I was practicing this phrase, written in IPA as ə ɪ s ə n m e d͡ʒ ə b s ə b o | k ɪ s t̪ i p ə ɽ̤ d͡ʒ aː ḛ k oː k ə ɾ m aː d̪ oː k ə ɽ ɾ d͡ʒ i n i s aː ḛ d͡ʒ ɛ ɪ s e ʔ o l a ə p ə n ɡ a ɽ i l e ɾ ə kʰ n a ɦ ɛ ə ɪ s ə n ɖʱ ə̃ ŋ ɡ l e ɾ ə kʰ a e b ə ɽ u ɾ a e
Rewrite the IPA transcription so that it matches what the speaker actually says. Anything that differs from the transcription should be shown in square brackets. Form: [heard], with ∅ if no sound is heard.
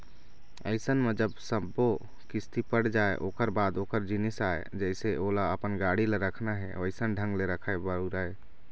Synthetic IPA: ə ɪ s ə n m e d͡ʒ ə b s ə b o | k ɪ s t̪ i p ə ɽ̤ d͡ʒ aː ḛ [ʔ] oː k ə ɾ [b] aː d̪ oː k ə [∅] ɾ d͡ʒ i n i s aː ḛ d͡ʒ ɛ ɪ s e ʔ o l a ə p ə n ɡ a ɽ i l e ɾ ə kʰ n a ɦ ɛ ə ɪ s ə n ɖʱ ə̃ ŋ ɡ l e ɾ ə kʰ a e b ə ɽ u ɾ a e